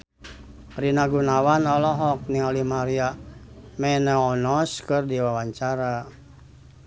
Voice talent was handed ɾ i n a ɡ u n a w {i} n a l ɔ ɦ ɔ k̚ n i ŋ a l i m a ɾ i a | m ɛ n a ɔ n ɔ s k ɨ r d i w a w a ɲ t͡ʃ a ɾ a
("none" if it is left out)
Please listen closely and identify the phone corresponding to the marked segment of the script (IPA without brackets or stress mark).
a